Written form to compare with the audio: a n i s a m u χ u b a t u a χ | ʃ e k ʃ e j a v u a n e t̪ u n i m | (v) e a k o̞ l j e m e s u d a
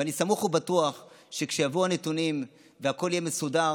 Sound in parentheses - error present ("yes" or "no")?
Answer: no